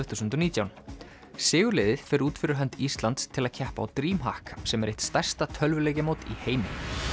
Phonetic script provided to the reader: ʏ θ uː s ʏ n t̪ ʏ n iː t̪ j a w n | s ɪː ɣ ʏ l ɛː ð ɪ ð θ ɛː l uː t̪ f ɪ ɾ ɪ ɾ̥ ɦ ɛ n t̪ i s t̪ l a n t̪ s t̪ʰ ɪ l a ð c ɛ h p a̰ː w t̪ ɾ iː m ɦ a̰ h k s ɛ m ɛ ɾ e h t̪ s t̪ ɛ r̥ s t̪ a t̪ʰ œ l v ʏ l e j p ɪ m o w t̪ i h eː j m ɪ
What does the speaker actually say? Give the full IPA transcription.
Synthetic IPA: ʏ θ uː s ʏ n t̪ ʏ n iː t̪ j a w n | s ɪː ɣ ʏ l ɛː ð ɪ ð f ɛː ɾ uː t̪ f ɪ ɾ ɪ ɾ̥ ɦ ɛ n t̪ i s t̪ l a n t̪ s t̪ʰ ɪ l a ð cʰ ɛ h p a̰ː w t̪ ɾ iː m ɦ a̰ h k s ɛ m ɛ ɾ e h t̪ s t̪ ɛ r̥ s t̪ a t̪ʰ œ l v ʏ l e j c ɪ m o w t̪ i h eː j m ɪ